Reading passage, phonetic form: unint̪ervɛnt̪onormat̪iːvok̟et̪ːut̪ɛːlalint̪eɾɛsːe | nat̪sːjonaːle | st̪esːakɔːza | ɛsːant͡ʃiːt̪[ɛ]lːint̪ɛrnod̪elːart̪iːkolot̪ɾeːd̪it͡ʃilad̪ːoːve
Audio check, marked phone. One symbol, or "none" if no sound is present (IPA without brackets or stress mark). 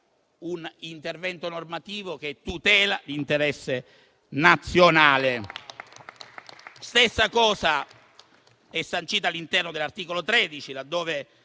a